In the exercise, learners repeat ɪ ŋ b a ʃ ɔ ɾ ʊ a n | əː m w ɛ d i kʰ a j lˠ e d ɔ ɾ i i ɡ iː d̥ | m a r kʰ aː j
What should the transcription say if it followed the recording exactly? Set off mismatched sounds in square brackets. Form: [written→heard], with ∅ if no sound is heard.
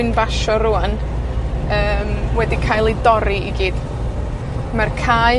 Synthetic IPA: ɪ [ŋ→n] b a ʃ ɔ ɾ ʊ a n | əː m w ɛ d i kʰ a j lˠ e d ɔ ɾ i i ɡ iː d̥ | m a r kʰ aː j